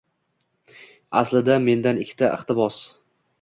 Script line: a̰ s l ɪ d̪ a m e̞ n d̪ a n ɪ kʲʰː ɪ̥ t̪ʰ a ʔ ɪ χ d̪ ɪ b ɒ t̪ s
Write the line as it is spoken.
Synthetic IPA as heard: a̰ s l ɪ d̪ a m e̞ n d̪ a n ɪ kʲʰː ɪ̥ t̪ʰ a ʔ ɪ χ t̪ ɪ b ɒ s